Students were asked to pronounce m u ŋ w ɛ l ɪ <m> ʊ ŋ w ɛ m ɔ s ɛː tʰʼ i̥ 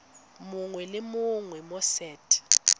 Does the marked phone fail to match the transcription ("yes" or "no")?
no